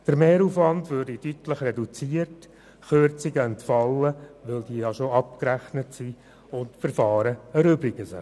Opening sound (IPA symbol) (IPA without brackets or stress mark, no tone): d̥